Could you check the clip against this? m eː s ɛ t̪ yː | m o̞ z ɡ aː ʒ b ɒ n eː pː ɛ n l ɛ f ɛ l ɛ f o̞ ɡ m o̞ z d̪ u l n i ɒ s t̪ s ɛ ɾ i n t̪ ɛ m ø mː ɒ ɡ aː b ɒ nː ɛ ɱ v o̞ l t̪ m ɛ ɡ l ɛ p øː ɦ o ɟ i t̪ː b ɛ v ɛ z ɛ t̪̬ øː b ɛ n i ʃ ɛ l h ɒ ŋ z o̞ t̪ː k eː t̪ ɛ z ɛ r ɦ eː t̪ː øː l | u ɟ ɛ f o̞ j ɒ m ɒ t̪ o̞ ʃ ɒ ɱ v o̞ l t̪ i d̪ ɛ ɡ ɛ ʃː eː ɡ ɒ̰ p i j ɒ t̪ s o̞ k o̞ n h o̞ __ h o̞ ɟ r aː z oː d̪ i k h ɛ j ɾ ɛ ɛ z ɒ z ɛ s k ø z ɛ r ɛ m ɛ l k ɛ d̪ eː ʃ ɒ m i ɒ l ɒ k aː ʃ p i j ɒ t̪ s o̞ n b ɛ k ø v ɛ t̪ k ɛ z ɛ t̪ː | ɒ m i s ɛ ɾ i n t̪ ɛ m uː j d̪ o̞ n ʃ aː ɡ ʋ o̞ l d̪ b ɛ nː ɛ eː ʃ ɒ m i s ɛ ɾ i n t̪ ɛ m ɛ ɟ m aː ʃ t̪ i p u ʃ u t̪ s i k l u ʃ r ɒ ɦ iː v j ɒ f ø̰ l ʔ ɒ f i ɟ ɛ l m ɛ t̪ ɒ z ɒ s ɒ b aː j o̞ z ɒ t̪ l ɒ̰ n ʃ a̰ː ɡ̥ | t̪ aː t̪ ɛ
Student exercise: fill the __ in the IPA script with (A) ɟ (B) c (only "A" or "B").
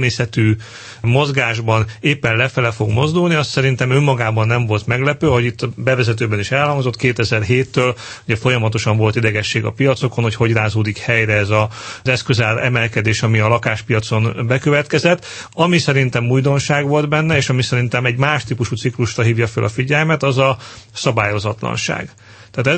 B